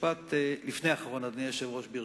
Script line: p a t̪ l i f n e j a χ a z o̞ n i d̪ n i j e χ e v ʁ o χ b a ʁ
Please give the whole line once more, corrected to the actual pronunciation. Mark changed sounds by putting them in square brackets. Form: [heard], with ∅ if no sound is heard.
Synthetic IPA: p a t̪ l i f n e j a χ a [ʁ] o̞ n [a] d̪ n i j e [ʃ] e v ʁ o [ʃ] b [i] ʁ